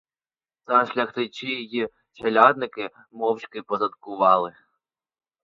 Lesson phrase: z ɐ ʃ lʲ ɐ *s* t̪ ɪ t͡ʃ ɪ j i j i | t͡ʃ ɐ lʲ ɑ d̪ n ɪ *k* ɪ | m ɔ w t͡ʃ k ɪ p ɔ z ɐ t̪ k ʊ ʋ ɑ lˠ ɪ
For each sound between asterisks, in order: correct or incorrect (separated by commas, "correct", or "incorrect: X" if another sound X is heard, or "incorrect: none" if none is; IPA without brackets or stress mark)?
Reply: incorrect: x, correct